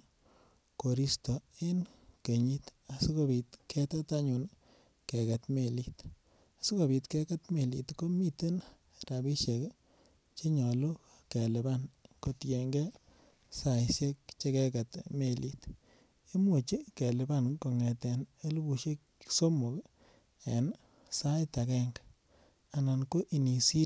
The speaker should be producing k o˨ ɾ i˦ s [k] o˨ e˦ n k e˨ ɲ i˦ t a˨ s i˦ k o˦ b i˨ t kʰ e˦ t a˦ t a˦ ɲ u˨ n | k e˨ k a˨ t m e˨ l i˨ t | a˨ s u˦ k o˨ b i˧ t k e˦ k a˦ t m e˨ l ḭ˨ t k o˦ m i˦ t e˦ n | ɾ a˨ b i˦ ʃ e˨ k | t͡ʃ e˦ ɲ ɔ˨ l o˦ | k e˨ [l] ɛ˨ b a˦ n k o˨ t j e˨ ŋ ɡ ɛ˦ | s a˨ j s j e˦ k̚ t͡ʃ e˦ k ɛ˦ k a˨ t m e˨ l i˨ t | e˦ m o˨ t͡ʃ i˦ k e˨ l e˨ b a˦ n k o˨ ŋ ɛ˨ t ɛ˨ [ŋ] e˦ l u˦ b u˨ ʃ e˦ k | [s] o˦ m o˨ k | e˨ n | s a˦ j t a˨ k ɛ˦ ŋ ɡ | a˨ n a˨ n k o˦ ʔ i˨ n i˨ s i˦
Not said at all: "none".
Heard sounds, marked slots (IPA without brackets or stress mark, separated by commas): t, l, n, s